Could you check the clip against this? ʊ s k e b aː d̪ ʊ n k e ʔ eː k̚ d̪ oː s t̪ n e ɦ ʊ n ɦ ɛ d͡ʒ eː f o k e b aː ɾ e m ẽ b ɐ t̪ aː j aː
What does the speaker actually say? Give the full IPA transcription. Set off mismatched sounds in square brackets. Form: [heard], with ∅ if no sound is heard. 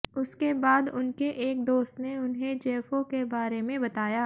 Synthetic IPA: ʊ s k e b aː d̪ ʊ n k e ʔ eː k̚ d̪ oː s t̪ n e [∅] ʊ n ɦ [e] d͡ʒ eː f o k e b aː ɾ e m ẽ b ɐ t̪ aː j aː